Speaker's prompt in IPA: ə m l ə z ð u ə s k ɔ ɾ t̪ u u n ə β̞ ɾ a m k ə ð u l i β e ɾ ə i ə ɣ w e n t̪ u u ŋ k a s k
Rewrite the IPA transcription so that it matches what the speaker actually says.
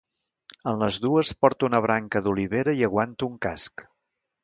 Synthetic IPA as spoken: ə n l ə z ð u ə s p ɔ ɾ t̪ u u n ə β̞ ɾ a ŋ k ə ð u l i β e ɾ ə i ə ɣ w a n t̪ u u ŋ k a s k